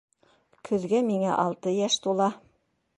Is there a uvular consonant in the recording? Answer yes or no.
no